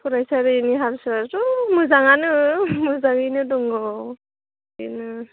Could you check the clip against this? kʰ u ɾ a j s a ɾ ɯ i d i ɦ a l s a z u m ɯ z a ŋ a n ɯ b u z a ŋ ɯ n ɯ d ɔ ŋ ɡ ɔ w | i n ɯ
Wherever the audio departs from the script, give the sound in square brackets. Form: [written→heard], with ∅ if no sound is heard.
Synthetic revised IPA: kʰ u ɾ a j s a ɾ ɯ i [d→n] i ɦ a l s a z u m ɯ z a ŋ a n ɯ [b→m] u z a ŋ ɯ n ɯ d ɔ ŋ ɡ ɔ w | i n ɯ